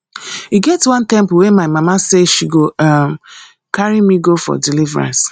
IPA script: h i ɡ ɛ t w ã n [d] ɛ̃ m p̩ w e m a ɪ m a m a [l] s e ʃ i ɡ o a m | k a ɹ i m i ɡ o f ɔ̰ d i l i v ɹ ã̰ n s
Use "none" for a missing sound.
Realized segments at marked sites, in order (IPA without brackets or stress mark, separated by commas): t, none